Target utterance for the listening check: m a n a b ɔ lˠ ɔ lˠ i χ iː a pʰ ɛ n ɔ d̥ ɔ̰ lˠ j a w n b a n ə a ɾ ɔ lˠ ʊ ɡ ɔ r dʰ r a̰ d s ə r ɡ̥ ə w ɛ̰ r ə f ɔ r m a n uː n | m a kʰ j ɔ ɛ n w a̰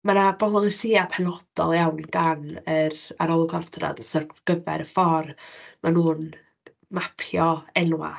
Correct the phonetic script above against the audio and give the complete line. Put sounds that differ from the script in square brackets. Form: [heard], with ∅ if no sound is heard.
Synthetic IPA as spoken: m a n a b ɔ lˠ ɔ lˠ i [s] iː a pʰ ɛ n ɔ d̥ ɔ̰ lˠ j a w n [ɡ] a n ə a ɾ ɔ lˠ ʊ ɡ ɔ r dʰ r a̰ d s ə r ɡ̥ ə [v] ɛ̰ [ɾ] ə f ɔ r m a n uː n | m a [pʰ] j ɔ ɛ n w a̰